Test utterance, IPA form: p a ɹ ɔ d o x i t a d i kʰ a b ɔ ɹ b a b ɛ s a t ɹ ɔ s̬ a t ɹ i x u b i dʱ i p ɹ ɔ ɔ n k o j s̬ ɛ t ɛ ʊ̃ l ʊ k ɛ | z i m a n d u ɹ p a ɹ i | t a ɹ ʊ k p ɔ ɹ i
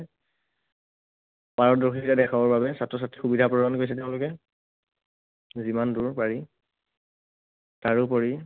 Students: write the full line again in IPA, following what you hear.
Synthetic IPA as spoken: p a ɹ ɔ d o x i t a d ɛ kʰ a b ɔ ɹ b a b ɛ s a t ɹ ɔ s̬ a t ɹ i x u b i dʱ a p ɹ ɔ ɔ n k o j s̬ ɛ t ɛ ʊ̃ l ʊ k ɛ | z i m a n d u ɹ p a ɹ i | t a ɹ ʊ p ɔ ɹ i